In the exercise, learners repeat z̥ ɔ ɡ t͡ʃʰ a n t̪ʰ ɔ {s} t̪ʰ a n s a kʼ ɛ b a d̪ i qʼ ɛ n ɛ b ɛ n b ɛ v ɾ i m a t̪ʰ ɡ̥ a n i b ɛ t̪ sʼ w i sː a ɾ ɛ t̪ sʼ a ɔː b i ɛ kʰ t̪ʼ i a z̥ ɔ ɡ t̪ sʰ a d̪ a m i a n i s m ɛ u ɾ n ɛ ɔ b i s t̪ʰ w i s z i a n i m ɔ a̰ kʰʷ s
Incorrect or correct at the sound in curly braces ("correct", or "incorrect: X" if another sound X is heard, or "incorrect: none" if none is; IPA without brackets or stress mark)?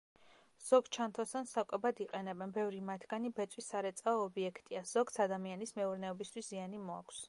correct